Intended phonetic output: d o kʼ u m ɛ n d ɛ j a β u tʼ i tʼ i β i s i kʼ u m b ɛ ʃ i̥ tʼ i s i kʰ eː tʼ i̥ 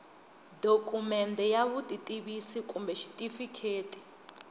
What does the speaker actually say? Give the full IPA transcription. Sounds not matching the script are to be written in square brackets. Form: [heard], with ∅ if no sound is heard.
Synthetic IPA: d o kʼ u m ɛ n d ɛ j a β u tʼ i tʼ i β i s i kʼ u m b ɛ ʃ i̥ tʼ i [f] i kʰ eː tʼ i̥